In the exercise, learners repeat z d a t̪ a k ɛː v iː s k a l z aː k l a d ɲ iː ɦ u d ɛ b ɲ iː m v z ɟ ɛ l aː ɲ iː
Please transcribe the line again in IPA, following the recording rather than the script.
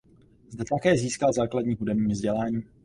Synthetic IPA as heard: z d ɛ t̪ a k ɛː z iː s k a l z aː k l a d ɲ iː ɦ u d ɛ b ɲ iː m v z ɟ ɛ l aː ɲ iː